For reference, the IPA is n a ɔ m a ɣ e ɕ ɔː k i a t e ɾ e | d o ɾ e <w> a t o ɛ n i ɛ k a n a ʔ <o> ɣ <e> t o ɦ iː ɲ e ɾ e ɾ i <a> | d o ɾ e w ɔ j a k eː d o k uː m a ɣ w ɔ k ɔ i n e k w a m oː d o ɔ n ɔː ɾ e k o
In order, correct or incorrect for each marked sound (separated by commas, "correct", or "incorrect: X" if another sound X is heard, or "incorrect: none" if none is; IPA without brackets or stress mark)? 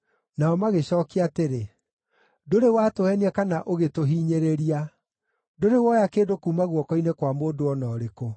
correct, correct, correct, correct